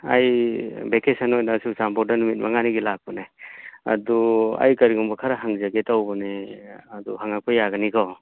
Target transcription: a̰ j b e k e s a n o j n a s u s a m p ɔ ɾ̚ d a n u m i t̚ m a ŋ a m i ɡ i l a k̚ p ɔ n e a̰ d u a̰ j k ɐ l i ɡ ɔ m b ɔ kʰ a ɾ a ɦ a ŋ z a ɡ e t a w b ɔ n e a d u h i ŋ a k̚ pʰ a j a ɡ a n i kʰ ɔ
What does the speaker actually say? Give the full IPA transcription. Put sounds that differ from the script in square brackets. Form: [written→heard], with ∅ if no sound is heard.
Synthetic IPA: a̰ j b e k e s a n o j n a s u s a m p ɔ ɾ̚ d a n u m i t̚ m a ŋ a [m→n] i ɡ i l a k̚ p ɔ n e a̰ d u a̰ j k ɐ [l→ɾ] i ɡ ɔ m b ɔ kʰ a ɾ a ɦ a ŋ z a ɡ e t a w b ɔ n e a d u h [i→a] ŋ a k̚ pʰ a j a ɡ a n i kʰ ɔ